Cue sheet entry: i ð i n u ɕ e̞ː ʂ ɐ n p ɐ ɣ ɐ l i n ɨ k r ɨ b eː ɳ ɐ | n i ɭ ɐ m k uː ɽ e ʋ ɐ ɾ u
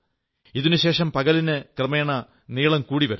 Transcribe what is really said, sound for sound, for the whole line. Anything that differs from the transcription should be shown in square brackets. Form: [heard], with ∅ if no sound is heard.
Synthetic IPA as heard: i ð i n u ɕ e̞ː ʂ ɐ [m] p ɐ ɣ ɐ l i n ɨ k r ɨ [m] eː ɳ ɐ | n [iː] ɭ ɐ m k uː ɽ [i] ʋ ɐ ɾ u